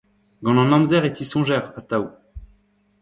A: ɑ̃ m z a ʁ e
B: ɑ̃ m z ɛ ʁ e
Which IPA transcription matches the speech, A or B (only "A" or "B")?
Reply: B